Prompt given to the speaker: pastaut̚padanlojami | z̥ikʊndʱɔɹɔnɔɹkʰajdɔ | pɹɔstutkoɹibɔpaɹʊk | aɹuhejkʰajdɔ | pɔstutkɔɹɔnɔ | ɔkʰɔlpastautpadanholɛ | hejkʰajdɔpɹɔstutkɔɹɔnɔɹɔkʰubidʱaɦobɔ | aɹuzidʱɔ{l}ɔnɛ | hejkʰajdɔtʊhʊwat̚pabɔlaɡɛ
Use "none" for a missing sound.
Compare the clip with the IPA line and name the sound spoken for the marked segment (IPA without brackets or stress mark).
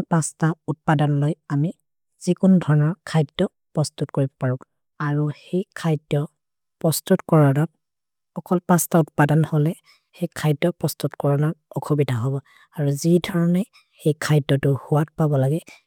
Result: ɹ